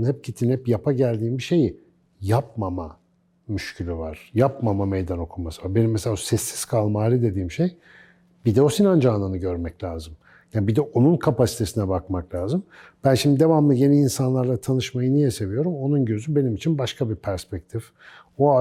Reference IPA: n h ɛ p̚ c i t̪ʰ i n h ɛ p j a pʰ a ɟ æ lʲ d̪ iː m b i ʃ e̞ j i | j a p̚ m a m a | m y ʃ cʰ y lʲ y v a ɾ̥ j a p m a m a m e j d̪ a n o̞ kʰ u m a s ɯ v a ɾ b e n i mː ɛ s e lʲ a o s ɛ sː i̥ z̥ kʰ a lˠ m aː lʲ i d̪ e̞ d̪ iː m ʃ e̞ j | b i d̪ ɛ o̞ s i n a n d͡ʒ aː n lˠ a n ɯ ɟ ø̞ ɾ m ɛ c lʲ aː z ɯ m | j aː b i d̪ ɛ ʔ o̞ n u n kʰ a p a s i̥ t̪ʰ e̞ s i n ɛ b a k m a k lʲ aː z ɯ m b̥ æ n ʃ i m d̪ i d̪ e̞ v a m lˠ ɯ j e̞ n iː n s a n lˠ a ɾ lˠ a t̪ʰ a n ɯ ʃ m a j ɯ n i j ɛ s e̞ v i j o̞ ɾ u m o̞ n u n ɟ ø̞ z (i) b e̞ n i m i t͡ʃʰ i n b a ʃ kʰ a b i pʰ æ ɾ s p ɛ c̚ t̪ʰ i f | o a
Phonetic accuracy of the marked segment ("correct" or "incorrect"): incorrect